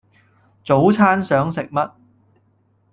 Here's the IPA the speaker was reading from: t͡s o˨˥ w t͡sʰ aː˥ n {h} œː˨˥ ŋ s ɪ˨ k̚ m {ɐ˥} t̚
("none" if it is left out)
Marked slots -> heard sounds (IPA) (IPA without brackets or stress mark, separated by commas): s, ɐ˥